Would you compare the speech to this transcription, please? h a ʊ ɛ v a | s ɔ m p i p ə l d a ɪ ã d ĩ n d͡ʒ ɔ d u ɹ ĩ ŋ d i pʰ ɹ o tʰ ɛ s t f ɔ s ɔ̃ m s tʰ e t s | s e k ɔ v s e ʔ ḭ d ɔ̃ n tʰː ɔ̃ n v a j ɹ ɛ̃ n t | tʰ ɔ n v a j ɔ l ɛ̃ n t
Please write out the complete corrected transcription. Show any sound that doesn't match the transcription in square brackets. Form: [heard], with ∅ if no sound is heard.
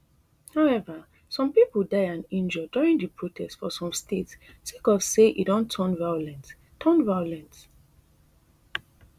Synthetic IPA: h a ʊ ɛ v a | s [ɔ̃] m p i p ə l d a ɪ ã [n] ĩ n d͡ʒ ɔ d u ɹ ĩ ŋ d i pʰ ɹ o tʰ ɛ s t f ɔ s ɔ̃ m s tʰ e t s | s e k ɔ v s e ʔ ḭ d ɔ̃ n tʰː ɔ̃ n v a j [l] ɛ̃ n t | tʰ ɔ n v a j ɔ l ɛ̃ n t

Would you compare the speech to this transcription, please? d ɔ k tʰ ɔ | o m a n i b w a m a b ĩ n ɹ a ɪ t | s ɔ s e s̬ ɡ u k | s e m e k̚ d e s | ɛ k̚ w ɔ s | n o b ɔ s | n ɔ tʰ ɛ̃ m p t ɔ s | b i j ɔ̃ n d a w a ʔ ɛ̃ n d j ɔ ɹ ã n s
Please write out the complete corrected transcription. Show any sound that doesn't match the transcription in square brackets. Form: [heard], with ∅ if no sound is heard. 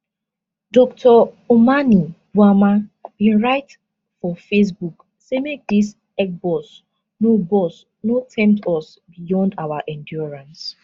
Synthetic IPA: d ɔ k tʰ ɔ | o m a n i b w a m a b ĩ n ɹ a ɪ t | [f] ɔ [f] e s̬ [b] u k | s e m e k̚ d [i] s | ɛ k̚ [b] ɔ s | n o b ɔ s | n [o] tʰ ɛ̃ m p t ɔ s | b i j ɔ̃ n d a w a ʔ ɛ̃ n d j ɔ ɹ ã n s

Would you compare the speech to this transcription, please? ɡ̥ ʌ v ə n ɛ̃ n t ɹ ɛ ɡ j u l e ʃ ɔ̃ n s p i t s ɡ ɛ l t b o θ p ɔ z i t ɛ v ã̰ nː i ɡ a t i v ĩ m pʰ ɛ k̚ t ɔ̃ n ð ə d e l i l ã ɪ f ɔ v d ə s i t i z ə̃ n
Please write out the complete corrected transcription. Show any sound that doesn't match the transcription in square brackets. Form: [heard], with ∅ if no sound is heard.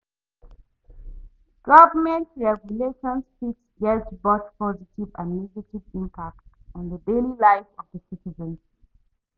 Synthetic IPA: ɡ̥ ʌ v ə [m] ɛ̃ n t ɹ ɛ ɡ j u l e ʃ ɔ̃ n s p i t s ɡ ɛ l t b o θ p ɔ z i t [i] v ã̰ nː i ɡ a t i v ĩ m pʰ [a] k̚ t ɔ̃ n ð ə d e l i l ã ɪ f ɔ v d ə s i t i z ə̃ n

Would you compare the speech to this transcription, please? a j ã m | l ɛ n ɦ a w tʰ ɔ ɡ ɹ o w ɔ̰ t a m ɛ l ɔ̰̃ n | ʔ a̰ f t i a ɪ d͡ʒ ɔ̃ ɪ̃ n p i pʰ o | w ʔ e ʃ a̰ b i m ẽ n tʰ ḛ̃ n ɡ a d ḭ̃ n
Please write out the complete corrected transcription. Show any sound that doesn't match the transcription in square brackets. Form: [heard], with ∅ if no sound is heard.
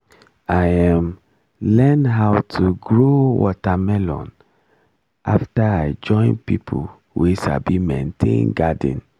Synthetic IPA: a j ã m | l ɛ n ɦ a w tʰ [u] ɡ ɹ o w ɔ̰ t a m ɛ l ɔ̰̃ n | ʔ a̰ f t [a] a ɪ d͡ʒ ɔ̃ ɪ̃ n p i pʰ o | w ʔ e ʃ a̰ b i m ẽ n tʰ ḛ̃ n ɡ a d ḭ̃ n

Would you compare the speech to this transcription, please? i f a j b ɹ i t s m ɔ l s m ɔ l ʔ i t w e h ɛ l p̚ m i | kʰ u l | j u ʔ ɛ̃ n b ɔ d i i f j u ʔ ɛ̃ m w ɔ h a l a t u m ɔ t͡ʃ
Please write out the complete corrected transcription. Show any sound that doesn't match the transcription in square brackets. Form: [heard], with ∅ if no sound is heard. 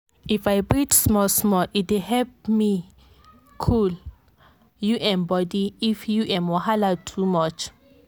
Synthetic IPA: i f a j b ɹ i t s m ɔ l s m ɔ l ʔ i t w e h ɛ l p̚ m i | kʰ u l | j u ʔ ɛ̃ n b ɔ d i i f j u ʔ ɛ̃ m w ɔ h a l a [tʰ] u m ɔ t͡ʃ

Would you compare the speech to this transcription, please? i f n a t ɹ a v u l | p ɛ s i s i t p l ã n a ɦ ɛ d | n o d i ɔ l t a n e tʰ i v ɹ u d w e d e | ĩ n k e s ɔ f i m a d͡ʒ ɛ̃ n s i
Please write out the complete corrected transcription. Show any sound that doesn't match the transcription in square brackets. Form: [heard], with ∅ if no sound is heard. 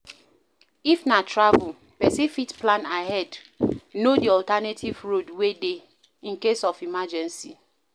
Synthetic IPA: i f n a t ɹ a v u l | p ɛ s i [f] i t p l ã n a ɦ ɛ d | n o d i ɔ l t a n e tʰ i v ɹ [o] d w e d e | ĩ n k e s ɔ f i m a d͡ʒ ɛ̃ n s i

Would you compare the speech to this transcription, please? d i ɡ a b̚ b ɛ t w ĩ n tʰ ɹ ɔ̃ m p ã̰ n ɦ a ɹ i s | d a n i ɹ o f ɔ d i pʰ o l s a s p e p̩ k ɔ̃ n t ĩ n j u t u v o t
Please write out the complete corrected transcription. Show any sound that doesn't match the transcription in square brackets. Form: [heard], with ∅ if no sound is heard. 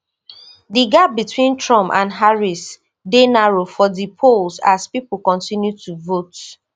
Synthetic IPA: d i ɡ a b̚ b [i] t w ĩ n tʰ ɹ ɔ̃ m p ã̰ n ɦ a ɹ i s | d [e] n [a] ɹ o f ɔ d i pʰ o l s a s p [i] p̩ k ɔ̃ n t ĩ n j u t u v o t

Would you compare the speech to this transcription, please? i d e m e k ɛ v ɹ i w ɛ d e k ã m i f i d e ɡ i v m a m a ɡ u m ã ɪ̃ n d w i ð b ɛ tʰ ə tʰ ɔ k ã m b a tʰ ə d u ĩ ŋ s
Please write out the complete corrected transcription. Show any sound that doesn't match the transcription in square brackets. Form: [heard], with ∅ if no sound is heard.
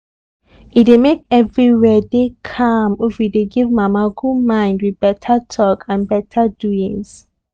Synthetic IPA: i d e m e k ɛ v ɹ i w ɛ d e [kʰ] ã m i f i d e ɡ i v m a m a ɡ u m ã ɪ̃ n d w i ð b ɛ tʰ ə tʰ ɔ k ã [n] b [ɛ] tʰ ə d u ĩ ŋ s

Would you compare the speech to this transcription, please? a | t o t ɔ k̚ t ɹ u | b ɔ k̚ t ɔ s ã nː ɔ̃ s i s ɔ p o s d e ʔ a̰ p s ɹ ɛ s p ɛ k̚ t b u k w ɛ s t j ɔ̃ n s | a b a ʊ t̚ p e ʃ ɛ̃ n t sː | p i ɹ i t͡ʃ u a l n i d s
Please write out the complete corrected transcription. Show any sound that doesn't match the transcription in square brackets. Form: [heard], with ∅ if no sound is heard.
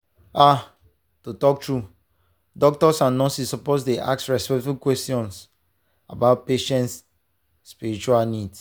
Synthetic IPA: a | t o t ɔ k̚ t ɹ u | [d] ɔ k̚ t ɔ s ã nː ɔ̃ s i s ɔ p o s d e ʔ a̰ [k] s ɹ ɛ s p ɛ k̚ t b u k w ɛ s t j ɔ̃ n s | a b a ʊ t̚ p e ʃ ɛ̃ n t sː | p i ɹ i t͡ʃ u a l n i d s

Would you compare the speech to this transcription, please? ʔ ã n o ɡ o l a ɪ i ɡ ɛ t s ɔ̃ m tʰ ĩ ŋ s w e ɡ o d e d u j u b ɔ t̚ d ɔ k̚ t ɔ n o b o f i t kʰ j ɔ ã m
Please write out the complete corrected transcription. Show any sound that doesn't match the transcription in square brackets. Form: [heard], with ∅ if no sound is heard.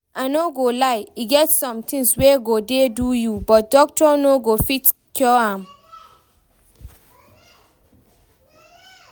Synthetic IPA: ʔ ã n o ɡ o l a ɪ i ɡ ɛ t s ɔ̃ m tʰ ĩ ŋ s w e ɡ o d e d u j u b ɔ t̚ d ɔ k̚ t ɔ n o [ɡ] o f i t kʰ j ɔ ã m

